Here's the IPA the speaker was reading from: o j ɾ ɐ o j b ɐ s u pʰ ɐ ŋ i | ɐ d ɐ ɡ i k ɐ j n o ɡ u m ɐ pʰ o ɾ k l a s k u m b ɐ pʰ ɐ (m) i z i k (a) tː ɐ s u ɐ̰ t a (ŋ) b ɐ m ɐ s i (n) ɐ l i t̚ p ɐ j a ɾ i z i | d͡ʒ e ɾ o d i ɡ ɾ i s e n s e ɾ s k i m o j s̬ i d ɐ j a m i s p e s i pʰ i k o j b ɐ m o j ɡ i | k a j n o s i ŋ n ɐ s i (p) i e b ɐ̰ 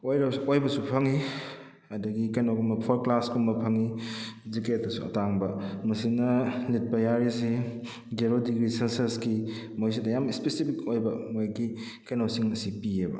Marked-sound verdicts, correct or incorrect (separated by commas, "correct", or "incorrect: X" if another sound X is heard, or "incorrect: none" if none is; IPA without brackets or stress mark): incorrect: ŋ, incorrect: e, correct, correct, correct